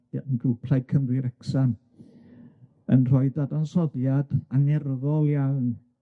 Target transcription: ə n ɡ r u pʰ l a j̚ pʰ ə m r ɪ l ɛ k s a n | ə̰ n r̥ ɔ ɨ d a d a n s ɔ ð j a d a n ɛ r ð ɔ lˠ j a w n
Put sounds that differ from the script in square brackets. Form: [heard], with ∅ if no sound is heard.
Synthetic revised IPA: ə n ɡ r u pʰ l a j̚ [kʰ] ə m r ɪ [ɾ] ɛ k s a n | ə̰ n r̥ ɔ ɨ d a d a n s ɔ ð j a d a n ɛ r ð ɔ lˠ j a w n